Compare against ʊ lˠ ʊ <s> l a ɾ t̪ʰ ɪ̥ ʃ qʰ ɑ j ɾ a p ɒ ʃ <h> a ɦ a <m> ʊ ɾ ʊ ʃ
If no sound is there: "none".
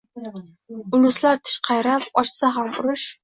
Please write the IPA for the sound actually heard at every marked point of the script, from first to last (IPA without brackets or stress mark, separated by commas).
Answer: s, s, m